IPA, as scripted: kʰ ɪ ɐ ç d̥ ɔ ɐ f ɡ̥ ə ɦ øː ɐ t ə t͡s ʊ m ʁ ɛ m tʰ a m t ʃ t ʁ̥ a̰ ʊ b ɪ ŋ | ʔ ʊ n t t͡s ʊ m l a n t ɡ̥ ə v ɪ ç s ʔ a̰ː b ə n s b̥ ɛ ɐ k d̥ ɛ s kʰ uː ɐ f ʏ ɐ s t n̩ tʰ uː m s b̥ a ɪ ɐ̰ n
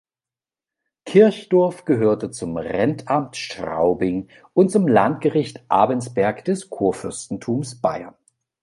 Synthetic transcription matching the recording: kʰ ɪ ɐ ç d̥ ɔ ɐ f ɡ̥ ə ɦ øː ɐ t ə t͡s ʊ m ʁ ɛ n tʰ a m t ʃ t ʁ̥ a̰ ʊ b ɪ ŋ | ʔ ʊ n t t͡s ʊ m l a n t ɡ̥ ə ʁ ɪ ç t ʔ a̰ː b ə n s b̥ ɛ ɐ k d̥ ɛ s kʰ uː ɐ f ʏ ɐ s t n̩ tʰ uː m s b̥ a ɪ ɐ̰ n

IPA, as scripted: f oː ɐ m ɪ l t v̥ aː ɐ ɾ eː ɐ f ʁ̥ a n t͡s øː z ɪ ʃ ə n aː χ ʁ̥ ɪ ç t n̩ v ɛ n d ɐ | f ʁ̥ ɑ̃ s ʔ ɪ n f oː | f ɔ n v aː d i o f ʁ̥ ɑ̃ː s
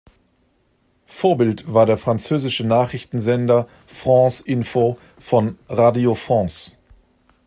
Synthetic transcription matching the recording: f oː ɐ b ɪ l t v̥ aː ɐ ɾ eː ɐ f ʁ̥ a n t͡s øː z ɪ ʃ ə n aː χ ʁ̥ ɪ ç t n̩ z ɛ n d ɐ | f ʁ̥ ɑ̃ s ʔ ɪ n f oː | f ɔ n ʁ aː d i o f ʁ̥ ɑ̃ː s

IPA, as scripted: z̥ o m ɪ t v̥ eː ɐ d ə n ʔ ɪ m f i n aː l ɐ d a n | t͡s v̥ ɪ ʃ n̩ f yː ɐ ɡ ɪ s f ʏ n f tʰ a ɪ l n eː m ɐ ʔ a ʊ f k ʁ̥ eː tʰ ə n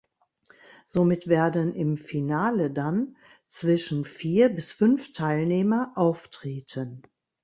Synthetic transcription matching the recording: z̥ o m ɪ t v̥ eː ɐ d ə n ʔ ɪ m f i n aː l ə d a n | t͡s v̥ ɪ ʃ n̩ f iː ɐ b ɪ s f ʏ n f tʰ a ɪ l n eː m ɐ ʔ a ʊ f t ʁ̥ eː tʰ ə n

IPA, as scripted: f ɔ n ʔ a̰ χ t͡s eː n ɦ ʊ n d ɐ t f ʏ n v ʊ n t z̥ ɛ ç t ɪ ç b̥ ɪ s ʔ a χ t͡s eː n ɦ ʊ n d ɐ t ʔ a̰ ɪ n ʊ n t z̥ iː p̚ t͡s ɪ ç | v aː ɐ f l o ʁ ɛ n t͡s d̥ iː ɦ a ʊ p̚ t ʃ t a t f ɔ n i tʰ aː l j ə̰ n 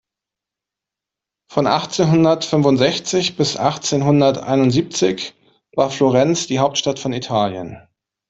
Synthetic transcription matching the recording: f ɔ n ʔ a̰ χ t͡s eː n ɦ ʊ n d ɐ t f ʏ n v ʊ n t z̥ ɛ ç t͡s ɪ ç b̥ ɪ s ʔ a χ t͡s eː n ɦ ʊ n d ɐ t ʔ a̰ ɪ n ʊ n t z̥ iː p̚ t͡s ɪ ç | v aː ɐ f l o ʁ ɛ n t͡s d̥ iː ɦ a ʊ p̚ t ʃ t a t f ɔ n i tʰ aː l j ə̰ n

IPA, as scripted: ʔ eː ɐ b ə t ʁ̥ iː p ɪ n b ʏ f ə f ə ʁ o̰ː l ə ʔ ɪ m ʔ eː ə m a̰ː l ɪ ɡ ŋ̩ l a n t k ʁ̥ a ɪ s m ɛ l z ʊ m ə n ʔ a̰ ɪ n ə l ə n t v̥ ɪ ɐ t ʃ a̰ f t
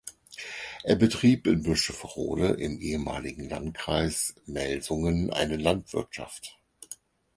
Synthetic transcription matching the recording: ʔ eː ɐ b ə t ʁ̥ iː p ɪ n b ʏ ʃ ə f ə ʁ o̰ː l ə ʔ ɪ m ʔ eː ə m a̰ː l ɪ ɡ ŋ̩ l a n t k ʁ̥ a ɪ s m ɛ l z ʊ ŋ ə n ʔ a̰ ɪ n ə l a n t v̥ ɪ ɐ t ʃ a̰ f t

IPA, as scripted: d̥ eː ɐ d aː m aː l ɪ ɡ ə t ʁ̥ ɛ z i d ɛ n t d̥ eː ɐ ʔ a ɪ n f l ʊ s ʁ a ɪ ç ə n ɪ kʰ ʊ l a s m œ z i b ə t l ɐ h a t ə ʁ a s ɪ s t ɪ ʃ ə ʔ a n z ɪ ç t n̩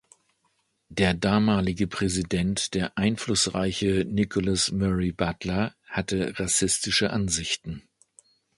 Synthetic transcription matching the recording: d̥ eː ɐ d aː m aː l ɪ ɡ ə p ʁ̥ ɛ z i d ɛ n t d̥ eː ɐ ʔ a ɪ n f l ʊ s ʁ a ɪ ç ə n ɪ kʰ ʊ l a s m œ ʁ i b a t l ɐ h a t ə ʁ a s ɪ s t ɪ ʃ ə ʔ a n z ɪ ç t n̩

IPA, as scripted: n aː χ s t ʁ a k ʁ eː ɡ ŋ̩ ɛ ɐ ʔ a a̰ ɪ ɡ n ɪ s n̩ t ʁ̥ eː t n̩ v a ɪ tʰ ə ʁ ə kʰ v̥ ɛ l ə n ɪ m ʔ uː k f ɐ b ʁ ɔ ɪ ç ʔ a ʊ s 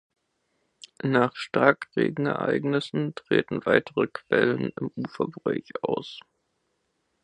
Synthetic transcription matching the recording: n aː χ ʃ t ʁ a k ʁ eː ɡ ŋ̩ ɛ ɐ ʔ a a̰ ɪ ɡ n ɪ s n̩ t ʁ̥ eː t n̩ v a ɪ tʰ ə ʁ ə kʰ v̥ ɛ l ə n ɪ m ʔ uː f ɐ b ʁ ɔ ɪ ç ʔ a ʊ s

